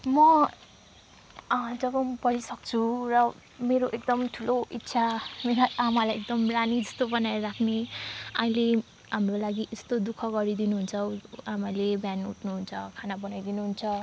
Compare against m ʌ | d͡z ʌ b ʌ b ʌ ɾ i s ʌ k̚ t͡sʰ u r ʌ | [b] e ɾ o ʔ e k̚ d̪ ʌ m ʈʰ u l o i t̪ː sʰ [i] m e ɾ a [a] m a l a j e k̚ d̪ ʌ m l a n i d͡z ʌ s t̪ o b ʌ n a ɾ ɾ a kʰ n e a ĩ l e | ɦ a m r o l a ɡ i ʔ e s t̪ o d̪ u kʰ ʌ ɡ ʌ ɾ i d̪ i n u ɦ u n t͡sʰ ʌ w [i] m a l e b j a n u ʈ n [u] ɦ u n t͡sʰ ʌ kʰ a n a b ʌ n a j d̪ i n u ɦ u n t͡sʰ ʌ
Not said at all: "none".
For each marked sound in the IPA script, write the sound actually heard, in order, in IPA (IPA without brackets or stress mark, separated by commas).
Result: m, a, a, a, u